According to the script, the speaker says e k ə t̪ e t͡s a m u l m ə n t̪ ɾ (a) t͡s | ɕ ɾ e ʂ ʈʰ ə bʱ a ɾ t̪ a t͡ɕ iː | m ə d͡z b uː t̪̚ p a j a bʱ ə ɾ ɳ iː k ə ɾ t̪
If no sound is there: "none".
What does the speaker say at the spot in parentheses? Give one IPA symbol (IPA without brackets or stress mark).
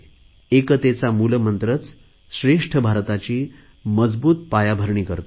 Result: ə